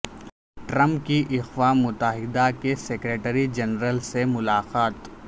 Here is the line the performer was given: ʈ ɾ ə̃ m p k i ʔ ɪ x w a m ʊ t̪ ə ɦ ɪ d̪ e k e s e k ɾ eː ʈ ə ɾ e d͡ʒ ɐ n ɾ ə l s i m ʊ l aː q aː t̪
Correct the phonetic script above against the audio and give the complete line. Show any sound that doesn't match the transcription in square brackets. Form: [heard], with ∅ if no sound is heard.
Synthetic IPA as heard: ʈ ɾ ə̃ m p k i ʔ ɪ x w a m ʊ t̪ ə ɦ ɪ d̪ [a] k e s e k ɾ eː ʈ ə ɾ [i] d͡ʒ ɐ n ɾ ə l s [e] m ʊ l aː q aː t̪